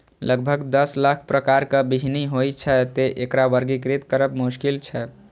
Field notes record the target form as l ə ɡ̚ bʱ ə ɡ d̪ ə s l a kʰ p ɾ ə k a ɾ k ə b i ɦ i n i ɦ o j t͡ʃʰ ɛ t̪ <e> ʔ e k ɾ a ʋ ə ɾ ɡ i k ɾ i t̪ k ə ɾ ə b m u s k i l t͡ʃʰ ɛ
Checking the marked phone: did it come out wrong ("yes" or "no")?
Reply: no